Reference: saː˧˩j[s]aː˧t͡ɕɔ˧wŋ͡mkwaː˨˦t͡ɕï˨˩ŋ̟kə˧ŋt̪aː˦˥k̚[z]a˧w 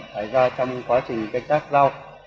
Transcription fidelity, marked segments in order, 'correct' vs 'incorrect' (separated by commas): incorrect, correct